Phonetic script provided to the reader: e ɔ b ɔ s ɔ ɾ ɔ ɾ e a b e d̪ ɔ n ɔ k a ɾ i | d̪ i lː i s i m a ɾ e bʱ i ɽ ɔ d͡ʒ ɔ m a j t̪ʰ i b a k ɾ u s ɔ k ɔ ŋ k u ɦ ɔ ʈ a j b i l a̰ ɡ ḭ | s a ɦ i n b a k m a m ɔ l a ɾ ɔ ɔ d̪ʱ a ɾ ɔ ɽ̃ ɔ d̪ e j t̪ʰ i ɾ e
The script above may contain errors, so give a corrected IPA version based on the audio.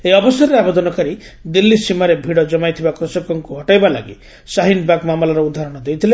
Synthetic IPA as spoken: e ɔ b ɔ s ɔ ɾ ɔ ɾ e a b e d̪ ɔ n ɔ k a ɾ i | d̪ i lː i s i m a ɾ e bʱ i ɽ ɔ d͡ʒ ɔ m a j t̪ʰ i b a k ɾ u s ɔ k ɔ ŋ k u ɦ ɔ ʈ a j b a l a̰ ɡ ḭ | s a ɦ i n b a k m a m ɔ l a ɾ ɔ u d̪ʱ a ɾ ɔ ɽ̃ ɔ d̪ e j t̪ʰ i l e